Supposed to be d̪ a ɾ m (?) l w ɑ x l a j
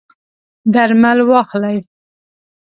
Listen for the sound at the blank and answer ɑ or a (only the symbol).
a